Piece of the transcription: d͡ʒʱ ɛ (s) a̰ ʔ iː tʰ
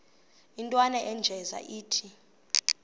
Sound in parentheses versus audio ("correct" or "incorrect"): incorrect